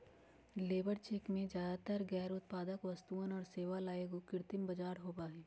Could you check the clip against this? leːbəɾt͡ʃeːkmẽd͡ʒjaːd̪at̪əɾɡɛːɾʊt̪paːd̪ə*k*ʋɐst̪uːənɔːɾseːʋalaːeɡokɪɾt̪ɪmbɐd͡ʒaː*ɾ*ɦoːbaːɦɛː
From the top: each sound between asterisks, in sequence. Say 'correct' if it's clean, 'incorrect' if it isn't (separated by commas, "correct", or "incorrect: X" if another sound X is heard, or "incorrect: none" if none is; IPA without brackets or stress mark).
correct, correct